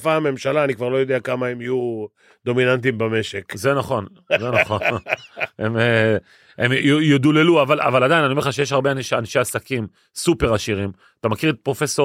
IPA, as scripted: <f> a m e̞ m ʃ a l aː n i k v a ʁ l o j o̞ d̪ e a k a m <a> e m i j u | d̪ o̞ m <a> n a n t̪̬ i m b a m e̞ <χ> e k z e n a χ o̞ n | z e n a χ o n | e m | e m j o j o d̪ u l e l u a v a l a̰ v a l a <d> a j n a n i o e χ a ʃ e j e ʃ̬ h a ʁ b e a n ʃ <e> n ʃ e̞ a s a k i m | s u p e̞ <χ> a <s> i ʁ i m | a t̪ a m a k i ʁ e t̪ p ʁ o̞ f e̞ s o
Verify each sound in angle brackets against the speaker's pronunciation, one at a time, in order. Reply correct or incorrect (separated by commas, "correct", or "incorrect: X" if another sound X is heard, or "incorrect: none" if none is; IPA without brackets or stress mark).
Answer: correct, correct, incorrect: i, incorrect: ʃ, correct, incorrect: a, incorrect: ʁ, incorrect: ʃ